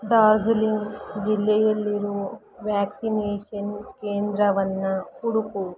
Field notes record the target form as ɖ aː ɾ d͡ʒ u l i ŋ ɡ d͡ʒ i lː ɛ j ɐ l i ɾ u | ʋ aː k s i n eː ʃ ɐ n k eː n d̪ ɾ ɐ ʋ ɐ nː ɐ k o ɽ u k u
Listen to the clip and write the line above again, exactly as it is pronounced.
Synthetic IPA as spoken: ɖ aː ɾ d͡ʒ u l i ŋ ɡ d͡ʒ i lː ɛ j ɐ lː i ɾ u | ʋ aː k s i n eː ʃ ɐ n k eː n d̪ ɾ ɐ ʋ ɐ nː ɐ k u ɽ u k u